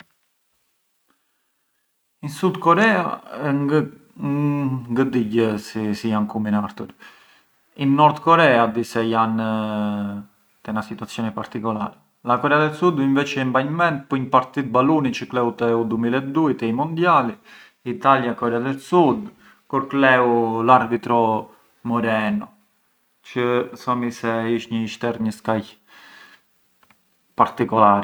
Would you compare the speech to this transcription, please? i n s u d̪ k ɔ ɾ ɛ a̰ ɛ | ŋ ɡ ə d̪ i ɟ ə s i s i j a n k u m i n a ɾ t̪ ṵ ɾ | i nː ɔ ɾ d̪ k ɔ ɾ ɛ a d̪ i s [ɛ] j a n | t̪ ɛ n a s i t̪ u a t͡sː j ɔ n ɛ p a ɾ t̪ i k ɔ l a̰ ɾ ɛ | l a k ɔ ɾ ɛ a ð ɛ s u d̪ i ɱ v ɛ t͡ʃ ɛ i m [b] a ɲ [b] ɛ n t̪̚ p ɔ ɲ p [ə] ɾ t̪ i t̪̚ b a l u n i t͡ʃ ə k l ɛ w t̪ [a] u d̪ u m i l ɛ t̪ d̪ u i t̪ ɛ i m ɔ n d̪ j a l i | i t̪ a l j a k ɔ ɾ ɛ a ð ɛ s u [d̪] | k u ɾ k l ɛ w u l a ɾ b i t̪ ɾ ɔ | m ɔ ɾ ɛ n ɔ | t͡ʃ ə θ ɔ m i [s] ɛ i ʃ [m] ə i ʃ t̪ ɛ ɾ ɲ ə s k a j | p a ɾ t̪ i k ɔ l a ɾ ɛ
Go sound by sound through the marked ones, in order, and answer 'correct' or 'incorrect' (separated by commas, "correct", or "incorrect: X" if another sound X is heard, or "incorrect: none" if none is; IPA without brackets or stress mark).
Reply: correct, correct, incorrect: m, incorrect: a, incorrect: ɛ, correct, correct, incorrect: ɲ